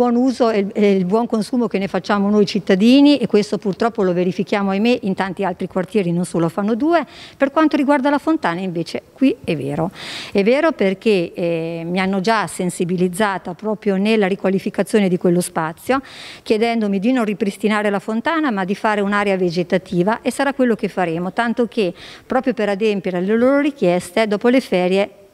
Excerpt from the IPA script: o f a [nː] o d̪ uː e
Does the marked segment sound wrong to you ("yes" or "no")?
no